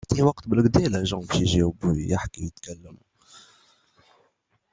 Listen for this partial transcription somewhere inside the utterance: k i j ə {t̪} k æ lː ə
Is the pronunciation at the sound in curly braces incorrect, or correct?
correct